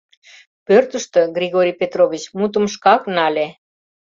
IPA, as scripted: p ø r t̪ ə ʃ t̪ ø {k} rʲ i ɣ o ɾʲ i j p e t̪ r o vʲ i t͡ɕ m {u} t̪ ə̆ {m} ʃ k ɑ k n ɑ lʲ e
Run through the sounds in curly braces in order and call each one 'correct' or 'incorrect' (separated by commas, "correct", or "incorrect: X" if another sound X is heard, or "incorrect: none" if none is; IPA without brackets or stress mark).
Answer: incorrect: ɡ, correct, correct